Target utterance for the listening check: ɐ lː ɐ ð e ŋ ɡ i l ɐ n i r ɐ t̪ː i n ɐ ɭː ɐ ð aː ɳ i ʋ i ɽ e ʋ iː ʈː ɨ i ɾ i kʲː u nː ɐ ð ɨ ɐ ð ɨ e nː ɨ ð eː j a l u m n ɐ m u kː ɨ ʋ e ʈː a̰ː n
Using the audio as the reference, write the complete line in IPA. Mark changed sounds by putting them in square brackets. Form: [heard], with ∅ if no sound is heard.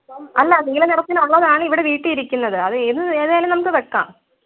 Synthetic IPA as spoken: ɐ lː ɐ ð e ŋ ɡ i l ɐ n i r ɐ t̪ː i n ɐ ɭː ɐ ð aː ɳ i ʋ i ɽ e ʋ iː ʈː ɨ i ɾ i kʲː u nː ɐ ð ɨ ɐ ð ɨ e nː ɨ ð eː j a l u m n ɐ m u kː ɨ ʋ e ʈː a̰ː [m]